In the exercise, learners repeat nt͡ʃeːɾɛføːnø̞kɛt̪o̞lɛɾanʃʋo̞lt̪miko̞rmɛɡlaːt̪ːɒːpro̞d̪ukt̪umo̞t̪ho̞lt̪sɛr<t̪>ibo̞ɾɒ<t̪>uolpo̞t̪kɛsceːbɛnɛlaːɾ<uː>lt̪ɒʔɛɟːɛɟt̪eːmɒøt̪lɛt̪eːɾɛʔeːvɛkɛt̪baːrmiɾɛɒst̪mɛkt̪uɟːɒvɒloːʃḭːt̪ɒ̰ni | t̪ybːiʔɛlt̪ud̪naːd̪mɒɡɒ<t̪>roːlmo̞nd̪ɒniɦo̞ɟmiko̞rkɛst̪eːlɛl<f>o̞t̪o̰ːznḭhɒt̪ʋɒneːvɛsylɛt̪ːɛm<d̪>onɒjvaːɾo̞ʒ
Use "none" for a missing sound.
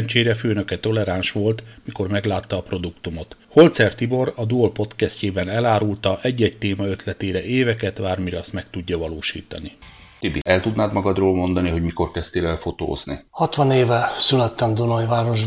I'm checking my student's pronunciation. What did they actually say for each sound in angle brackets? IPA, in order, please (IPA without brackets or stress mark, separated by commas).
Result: t̪, d̪, u, d̪, f, d̪